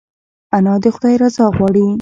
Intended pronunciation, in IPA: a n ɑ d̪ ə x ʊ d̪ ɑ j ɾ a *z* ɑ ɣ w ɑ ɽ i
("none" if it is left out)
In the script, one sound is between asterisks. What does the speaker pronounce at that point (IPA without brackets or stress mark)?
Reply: z